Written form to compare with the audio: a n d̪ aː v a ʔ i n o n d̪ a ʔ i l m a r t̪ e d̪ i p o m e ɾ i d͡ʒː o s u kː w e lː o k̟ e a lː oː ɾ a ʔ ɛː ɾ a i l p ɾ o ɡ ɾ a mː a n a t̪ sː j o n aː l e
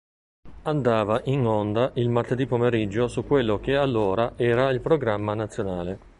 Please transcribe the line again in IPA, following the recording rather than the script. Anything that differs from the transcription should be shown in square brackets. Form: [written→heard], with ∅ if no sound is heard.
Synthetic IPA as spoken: a n d̪ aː v a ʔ i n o n d̪ a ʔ i l m a r t̪ e d̪ i p o m e ɾ i d͡ʒː o s u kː w e lː o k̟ e a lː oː ɾ a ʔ ɛː ɾ a i l p ɾ o ɡ ɾ a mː a n a t̪ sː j o n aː l e